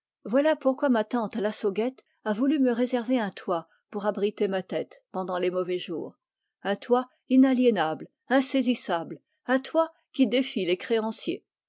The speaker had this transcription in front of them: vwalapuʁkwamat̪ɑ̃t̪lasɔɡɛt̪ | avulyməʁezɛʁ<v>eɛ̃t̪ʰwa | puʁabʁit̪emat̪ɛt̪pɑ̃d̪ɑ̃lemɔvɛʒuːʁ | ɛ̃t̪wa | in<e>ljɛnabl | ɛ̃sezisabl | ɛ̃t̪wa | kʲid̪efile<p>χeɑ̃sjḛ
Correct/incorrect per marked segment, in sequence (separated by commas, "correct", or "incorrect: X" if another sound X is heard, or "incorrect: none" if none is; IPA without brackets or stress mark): correct, incorrect: a, incorrect: k